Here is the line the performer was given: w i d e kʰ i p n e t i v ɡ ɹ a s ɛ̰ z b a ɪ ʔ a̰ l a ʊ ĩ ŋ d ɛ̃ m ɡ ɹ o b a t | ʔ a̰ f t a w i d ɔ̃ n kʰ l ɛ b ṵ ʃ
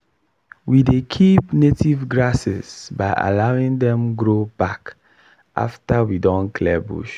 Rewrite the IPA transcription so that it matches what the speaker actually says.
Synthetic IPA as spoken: w i d e kʰ i p n e t i v ɡ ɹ a s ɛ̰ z b a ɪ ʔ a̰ l a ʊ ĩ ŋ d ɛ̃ m ɡ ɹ o b a k | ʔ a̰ f t a w i d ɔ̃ n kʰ l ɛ b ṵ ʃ